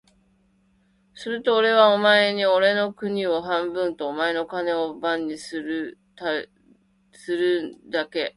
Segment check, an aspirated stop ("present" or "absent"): absent